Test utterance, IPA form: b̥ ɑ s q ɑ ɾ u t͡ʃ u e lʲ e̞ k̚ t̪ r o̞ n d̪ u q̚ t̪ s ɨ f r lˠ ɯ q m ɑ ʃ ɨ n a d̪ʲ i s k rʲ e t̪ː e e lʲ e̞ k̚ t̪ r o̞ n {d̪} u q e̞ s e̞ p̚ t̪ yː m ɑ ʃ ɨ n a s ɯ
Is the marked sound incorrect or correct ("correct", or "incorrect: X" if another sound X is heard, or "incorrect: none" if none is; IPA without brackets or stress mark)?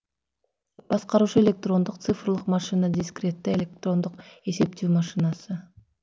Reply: correct